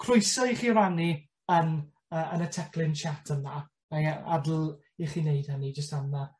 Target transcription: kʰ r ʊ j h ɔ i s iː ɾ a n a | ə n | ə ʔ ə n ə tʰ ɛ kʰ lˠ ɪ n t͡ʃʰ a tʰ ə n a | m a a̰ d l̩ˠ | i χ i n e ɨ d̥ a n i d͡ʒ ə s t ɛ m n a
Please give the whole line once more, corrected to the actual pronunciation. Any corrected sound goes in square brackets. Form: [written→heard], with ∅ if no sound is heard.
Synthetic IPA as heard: kʰ r ʊ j [h→s] ɔ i [s→χ] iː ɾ a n [a→i] | ə n | ə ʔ ə n ə tʰ ɛ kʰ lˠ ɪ n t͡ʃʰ a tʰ ə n a | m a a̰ d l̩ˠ | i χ i n e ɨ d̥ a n i d͡ʒ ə s t [ɛ→a] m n a